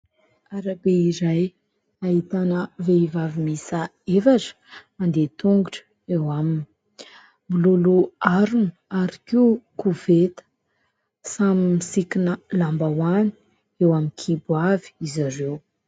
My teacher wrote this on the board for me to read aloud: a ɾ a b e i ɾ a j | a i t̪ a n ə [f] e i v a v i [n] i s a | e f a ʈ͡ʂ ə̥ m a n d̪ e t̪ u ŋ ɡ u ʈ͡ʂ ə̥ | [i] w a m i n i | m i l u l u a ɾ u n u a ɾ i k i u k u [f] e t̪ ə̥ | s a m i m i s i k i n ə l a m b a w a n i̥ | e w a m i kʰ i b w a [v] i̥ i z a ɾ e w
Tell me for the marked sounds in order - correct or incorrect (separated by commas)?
incorrect, incorrect, incorrect, incorrect, correct